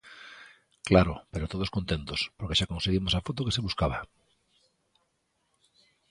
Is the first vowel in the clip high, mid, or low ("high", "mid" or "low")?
low